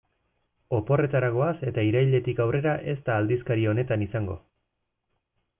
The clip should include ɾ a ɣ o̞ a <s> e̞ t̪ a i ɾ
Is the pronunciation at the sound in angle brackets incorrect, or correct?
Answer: correct